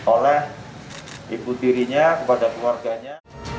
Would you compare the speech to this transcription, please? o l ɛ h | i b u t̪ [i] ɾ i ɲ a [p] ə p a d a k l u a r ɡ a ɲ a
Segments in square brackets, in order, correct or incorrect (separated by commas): correct, incorrect